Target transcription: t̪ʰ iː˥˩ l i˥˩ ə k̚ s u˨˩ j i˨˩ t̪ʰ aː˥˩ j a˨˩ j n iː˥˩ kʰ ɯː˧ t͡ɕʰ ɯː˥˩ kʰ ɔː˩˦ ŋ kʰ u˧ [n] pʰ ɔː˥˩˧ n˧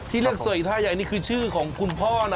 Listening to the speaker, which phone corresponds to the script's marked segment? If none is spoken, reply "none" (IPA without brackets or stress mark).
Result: n